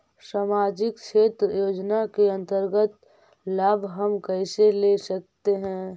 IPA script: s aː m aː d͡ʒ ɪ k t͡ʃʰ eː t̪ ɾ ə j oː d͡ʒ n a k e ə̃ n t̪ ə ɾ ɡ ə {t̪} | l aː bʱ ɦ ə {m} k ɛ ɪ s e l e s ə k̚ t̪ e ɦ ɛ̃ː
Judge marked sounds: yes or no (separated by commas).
yes, yes